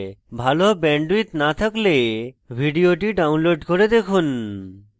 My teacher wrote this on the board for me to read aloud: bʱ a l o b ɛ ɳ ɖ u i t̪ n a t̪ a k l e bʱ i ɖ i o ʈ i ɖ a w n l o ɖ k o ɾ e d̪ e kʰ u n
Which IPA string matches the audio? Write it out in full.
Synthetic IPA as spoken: bʱ a l o b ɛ ɳ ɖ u i t̪ n a t̪ʰ a k l e bʱ i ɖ i o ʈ i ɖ a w n l o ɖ k o ɾ e d̪ e kʰ u n